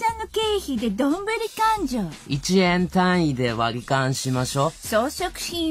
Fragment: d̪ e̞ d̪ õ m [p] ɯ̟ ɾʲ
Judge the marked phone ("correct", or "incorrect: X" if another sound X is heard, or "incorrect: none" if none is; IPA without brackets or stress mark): incorrect: b